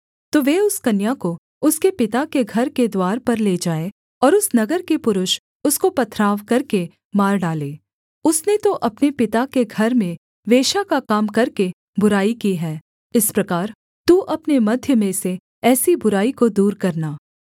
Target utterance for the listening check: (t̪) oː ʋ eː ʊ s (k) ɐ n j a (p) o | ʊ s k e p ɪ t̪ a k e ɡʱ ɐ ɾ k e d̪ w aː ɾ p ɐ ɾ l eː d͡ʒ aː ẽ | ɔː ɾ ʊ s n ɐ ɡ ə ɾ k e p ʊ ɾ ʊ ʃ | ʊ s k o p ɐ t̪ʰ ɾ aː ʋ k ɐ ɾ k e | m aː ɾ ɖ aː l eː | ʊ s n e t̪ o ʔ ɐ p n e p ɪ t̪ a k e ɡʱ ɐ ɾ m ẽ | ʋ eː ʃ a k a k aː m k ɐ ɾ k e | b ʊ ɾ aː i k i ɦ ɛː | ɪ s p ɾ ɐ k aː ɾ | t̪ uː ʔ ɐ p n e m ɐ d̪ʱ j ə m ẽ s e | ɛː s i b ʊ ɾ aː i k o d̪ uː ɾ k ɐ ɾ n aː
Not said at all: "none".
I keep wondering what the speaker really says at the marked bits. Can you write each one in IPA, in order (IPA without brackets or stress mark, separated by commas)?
t̪, k, k